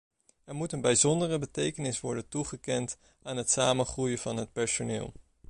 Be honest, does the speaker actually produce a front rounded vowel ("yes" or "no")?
no